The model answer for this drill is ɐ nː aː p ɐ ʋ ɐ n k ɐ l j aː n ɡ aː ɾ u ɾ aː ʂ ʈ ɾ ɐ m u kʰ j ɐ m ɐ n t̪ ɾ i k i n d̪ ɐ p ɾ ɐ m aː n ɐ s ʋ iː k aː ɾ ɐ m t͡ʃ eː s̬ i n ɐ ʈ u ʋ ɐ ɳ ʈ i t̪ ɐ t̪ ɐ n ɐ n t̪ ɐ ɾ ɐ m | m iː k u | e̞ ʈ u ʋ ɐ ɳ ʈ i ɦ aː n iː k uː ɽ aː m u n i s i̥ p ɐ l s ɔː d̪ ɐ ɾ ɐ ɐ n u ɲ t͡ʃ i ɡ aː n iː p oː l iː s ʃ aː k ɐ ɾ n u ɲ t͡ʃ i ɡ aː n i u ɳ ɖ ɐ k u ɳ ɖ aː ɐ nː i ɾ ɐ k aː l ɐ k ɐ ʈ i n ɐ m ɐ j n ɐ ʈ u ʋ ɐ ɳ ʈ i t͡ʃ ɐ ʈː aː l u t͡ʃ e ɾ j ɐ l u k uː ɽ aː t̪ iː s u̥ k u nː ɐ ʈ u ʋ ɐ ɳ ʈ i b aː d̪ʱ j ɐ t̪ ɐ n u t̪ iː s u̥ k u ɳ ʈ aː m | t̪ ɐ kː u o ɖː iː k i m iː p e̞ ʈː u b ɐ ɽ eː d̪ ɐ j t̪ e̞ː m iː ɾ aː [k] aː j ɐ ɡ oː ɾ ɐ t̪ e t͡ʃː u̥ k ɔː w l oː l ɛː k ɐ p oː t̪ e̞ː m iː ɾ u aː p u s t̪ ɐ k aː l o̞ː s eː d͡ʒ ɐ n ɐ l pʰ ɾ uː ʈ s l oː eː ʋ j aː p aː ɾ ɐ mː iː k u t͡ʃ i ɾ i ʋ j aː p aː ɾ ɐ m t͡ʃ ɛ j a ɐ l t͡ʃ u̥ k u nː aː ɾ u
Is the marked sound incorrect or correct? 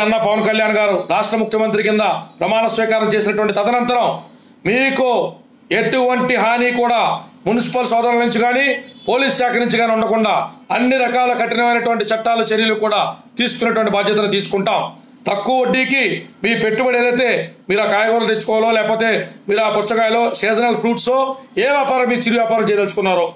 correct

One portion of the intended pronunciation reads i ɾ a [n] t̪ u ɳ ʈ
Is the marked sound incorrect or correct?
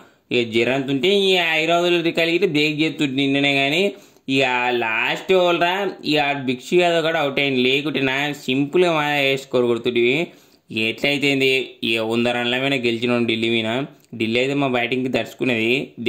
correct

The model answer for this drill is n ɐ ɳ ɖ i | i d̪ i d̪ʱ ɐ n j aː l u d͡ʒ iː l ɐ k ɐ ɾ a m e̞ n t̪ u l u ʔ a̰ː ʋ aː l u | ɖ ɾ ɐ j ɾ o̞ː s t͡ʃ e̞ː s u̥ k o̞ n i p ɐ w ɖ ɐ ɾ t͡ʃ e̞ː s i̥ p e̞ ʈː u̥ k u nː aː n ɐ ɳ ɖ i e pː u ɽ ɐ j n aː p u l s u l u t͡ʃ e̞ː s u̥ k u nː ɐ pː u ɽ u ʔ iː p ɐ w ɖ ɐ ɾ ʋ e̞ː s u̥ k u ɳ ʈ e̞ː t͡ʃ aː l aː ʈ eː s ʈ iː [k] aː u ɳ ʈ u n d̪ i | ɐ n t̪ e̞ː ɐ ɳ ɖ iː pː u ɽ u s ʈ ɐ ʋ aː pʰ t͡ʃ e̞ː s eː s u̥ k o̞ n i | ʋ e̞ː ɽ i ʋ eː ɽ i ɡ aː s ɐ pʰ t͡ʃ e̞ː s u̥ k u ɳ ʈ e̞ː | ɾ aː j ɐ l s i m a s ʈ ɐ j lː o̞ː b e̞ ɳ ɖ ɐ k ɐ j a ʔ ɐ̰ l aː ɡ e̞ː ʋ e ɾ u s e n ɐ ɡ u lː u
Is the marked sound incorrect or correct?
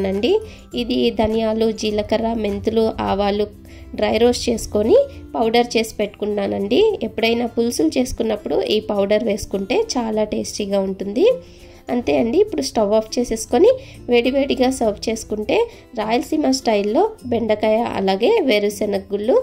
incorrect: ɡ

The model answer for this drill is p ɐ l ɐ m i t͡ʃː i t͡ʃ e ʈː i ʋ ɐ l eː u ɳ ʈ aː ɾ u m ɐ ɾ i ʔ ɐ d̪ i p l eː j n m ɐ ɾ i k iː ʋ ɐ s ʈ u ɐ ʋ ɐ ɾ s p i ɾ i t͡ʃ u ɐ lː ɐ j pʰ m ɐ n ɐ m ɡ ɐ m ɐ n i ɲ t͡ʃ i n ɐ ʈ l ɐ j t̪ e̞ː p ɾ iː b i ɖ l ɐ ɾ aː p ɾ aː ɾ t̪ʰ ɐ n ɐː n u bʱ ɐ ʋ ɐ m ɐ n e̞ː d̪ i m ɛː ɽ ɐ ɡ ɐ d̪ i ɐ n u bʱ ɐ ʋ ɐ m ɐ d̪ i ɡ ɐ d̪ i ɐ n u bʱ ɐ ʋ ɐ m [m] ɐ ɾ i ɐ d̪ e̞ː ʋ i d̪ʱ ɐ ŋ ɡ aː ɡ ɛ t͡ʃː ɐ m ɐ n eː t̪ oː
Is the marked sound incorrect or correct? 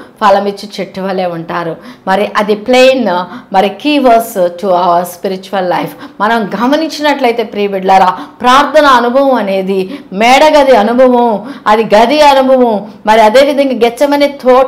correct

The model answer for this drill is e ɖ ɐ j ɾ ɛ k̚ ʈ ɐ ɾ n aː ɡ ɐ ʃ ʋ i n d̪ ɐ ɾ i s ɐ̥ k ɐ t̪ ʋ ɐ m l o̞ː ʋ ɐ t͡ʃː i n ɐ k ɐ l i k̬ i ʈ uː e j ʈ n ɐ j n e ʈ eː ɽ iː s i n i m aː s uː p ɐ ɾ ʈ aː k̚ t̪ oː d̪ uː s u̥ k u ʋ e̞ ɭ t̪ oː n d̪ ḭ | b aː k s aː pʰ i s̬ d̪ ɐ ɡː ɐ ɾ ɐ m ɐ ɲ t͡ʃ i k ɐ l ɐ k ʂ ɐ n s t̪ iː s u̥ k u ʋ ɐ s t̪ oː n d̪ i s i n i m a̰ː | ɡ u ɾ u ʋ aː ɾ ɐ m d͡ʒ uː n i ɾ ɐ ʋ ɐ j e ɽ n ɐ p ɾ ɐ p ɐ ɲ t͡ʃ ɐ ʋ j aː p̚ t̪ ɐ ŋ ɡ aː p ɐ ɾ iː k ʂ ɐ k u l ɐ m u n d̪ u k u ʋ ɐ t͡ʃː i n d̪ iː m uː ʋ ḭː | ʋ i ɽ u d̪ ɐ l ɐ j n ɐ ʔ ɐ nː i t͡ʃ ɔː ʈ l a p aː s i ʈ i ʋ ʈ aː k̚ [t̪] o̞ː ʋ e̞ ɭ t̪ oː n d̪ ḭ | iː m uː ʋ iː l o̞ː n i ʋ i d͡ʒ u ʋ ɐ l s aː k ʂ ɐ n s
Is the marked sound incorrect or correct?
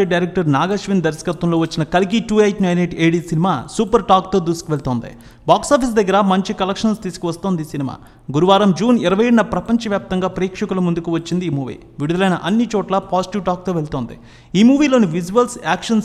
correct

